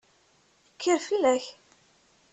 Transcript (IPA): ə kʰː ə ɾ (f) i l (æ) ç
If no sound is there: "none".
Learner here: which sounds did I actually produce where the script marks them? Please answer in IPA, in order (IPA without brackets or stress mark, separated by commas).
f, æ